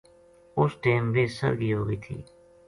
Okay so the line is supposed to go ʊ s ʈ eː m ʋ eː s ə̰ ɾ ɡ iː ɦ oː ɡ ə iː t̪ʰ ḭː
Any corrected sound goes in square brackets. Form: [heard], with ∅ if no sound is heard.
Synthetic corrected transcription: ʊ s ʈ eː m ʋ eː s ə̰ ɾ ɡ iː ɦ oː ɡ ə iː t̪ʰ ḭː